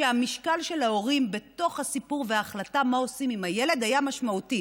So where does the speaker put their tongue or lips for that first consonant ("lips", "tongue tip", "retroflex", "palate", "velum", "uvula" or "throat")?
lips